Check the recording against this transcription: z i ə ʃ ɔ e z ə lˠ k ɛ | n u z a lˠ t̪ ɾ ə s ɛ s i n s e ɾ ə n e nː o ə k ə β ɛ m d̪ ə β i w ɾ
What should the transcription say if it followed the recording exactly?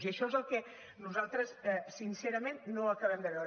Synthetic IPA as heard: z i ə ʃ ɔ e z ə lˠ k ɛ | n u z a lˠ t̪ ɾ ə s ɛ s i n s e ɾ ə m e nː o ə k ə β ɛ m d̪ ə β ɛ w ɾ